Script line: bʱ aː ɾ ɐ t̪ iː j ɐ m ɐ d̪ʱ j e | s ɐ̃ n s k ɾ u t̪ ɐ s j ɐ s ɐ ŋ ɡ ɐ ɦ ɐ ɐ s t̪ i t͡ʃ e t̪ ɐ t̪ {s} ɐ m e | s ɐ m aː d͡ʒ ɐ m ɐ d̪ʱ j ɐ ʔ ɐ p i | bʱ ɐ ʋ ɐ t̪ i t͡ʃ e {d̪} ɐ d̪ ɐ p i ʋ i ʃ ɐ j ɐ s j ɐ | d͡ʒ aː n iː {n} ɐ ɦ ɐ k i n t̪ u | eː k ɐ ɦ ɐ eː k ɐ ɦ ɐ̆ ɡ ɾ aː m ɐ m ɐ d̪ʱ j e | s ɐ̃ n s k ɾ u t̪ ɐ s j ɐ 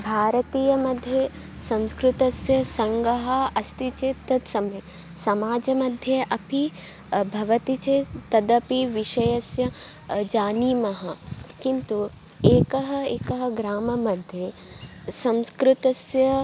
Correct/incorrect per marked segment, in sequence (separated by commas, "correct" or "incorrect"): correct, incorrect, incorrect